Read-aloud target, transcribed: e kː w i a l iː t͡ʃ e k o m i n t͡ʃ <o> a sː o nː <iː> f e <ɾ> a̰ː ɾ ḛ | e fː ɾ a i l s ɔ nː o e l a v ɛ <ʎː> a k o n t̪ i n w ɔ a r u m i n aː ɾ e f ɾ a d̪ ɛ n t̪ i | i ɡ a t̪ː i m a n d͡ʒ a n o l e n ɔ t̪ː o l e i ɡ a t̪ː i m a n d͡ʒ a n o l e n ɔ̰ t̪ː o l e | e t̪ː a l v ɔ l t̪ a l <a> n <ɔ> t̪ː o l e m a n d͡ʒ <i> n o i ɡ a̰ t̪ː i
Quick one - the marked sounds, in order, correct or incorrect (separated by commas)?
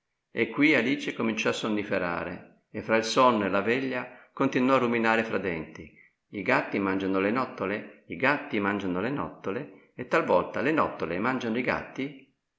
incorrect, incorrect, correct, correct, incorrect, correct, incorrect